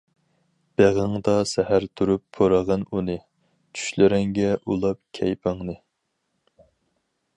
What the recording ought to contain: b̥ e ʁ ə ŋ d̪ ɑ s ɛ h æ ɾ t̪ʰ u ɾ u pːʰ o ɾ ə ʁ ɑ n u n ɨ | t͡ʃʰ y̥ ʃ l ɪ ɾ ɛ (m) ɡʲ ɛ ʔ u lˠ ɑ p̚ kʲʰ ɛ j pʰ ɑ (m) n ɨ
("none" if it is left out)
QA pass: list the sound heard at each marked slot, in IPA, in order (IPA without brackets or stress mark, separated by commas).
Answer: ŋ, ŋ